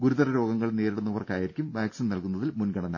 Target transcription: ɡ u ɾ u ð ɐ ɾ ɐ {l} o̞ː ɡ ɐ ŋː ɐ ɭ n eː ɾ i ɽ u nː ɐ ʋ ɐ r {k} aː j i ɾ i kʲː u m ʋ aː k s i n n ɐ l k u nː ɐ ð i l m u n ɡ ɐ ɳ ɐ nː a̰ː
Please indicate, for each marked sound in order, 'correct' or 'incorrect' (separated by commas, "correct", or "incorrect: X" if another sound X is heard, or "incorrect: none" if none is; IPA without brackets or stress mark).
incorrect: ɾ, correct